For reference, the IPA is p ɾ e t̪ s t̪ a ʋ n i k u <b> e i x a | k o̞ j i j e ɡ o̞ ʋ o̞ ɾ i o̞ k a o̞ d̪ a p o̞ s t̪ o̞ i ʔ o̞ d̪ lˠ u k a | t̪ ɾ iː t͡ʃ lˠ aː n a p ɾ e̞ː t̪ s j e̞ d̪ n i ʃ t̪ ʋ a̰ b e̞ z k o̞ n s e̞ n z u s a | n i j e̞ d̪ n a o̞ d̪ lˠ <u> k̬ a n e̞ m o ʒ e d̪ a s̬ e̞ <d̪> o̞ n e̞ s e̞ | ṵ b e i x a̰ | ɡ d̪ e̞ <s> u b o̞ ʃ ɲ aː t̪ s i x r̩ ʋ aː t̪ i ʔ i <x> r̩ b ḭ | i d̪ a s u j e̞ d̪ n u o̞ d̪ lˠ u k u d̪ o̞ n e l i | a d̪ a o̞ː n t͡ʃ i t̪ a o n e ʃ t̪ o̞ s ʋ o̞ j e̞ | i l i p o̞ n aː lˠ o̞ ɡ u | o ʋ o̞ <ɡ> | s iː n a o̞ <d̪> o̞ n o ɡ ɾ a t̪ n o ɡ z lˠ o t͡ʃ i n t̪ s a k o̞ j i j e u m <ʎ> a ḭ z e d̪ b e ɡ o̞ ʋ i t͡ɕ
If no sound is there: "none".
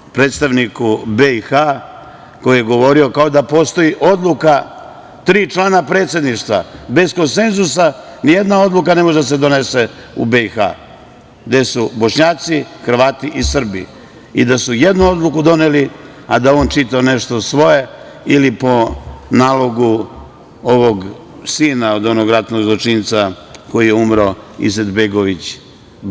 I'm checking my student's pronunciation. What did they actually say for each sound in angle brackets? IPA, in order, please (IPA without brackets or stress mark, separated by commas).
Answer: b, u, d̪, s, s, ɡ, d̪, ɾ